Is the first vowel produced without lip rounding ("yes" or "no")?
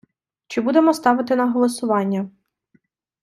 yes